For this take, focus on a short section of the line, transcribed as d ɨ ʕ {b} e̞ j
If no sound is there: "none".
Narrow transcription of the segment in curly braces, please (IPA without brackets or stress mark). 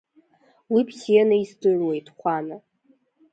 w